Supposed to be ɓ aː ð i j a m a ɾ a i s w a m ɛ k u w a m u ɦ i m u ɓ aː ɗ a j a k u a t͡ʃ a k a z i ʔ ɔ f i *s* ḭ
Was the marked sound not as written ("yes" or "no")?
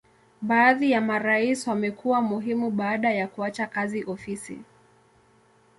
no